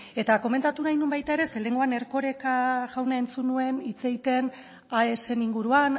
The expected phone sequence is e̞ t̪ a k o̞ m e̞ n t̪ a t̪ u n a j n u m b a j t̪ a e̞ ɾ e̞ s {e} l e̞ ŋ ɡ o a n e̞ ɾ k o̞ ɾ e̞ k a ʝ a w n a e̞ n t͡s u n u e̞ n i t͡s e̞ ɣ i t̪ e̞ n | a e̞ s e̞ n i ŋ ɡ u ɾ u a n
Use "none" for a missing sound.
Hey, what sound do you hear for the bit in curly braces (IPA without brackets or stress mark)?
e